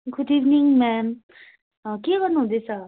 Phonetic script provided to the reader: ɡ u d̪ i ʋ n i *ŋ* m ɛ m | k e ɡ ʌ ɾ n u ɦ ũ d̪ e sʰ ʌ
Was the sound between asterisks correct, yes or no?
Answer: yes